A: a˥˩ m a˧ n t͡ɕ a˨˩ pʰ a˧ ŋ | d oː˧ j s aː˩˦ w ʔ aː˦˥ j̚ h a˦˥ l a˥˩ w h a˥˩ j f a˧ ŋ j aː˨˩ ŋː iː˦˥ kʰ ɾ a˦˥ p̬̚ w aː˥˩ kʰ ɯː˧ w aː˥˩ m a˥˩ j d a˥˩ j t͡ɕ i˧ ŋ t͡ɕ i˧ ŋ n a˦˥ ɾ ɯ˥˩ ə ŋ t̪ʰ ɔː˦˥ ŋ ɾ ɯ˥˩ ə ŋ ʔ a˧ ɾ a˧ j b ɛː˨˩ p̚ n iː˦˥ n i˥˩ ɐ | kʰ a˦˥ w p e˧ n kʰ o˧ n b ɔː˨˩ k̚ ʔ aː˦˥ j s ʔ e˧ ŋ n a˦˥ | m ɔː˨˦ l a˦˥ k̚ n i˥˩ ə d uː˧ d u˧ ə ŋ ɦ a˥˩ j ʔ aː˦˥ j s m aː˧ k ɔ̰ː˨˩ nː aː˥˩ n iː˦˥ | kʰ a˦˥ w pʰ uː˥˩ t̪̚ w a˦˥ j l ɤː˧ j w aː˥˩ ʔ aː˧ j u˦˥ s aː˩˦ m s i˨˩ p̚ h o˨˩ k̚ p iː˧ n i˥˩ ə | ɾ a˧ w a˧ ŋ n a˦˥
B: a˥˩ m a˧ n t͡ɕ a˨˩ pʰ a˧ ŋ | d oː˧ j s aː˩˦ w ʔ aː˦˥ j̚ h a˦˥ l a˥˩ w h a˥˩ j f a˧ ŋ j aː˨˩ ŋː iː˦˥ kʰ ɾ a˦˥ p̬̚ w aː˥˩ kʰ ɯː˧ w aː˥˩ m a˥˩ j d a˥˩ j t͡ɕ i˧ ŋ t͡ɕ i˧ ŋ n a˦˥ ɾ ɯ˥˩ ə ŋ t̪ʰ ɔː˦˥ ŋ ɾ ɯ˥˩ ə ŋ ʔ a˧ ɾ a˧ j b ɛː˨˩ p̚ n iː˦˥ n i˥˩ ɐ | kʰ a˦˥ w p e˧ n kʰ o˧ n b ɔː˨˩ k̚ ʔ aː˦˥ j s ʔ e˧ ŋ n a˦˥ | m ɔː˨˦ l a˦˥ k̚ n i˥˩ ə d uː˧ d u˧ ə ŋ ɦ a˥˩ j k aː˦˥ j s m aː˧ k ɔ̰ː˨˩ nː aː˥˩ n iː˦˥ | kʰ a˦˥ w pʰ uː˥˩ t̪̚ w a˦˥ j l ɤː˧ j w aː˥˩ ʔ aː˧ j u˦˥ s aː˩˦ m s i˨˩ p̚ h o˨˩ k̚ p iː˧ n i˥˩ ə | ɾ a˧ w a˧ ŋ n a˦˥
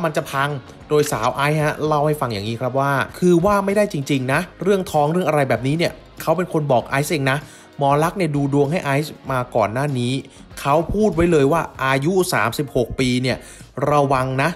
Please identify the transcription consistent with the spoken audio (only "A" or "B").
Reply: A